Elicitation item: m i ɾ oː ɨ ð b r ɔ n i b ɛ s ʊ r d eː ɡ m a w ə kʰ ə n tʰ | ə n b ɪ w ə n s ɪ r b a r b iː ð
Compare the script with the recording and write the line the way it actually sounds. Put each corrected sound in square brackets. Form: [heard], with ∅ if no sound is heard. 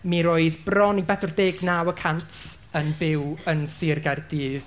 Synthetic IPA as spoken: m i ɾ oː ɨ ð b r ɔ n i b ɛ [θ] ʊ r d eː ɡ [n] a w ə kʰ [a] n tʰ | ə n b ɪ w ə n s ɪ r [ɡ] a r [d] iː ð